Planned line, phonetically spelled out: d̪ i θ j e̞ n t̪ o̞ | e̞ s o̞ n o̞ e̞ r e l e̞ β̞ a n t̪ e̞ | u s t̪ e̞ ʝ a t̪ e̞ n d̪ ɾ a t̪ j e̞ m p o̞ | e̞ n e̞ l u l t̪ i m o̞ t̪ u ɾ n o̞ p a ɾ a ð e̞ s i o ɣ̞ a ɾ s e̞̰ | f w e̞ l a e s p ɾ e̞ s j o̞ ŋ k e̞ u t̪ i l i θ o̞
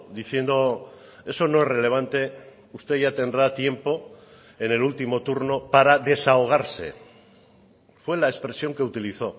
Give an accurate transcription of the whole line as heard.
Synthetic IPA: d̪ i θ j e̞ n d̪ o̞ | e̞ s o̞ n o̞ e̞ r e l e̞ β̞ a n t̪ e̞ | u s t̪ e̞ ʝ a t̪ e̞ n d̪ ɾ a t̪ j e̞ m p o̞ | e̞ n e̞ l u l t̪ i m o̞ t̪ u ɾ n o̞ p a ɾ a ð e̞ s a o ɣ̞ a ɾ s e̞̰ | f w e̞ l a e s p ɾ e̞ s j o̞ ŋ k e̞ u t̪ i l i θ o̞